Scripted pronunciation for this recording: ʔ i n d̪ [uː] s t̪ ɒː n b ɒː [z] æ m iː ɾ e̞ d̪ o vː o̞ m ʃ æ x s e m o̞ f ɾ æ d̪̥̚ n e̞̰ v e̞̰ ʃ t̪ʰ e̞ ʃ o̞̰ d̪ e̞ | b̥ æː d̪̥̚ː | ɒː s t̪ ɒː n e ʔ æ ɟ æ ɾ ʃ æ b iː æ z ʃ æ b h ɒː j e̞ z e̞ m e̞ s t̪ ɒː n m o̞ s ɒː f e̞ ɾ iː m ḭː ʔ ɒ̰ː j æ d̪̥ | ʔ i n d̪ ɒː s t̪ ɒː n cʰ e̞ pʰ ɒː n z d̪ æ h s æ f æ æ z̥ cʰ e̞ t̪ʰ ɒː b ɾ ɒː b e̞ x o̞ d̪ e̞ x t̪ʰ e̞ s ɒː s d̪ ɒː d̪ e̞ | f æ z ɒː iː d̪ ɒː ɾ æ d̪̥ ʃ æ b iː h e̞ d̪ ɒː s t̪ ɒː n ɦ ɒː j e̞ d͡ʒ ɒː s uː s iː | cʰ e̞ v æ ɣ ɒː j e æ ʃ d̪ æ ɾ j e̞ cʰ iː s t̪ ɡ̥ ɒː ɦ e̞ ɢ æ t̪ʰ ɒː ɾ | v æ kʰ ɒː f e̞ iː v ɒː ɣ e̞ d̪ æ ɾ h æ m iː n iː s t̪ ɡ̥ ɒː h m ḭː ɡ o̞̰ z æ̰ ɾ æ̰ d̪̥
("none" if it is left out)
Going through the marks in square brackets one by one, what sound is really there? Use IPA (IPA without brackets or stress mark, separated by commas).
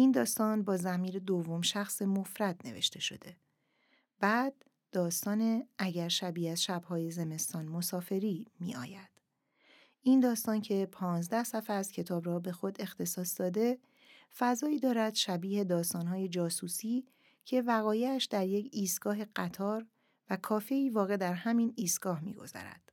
ɒː, z